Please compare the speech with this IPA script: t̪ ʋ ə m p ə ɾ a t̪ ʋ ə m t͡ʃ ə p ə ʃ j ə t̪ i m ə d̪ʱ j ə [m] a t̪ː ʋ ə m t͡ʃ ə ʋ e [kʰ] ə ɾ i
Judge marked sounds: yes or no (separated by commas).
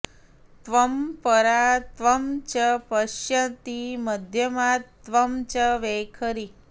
yes, yes